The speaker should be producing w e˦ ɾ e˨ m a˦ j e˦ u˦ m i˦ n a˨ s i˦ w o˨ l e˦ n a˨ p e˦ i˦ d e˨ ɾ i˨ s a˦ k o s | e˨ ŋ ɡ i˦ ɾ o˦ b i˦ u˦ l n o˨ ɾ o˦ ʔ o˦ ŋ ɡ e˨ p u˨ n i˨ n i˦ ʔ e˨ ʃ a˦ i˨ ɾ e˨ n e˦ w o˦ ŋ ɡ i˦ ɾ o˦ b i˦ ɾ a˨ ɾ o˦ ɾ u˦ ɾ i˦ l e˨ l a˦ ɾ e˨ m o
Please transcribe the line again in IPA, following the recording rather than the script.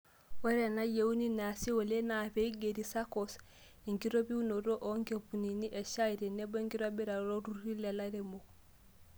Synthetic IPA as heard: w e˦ ɾ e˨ n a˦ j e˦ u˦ n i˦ n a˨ s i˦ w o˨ l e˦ n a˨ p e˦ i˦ ɡ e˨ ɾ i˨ s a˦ k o s | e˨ ŋ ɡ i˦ ɾ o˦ b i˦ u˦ n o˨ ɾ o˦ ʔ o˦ ŋ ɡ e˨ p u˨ n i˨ n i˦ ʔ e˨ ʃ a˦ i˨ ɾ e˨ n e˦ b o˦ ŋ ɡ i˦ ɾ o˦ b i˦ ɾ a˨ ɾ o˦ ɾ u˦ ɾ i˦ l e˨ l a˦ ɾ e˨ m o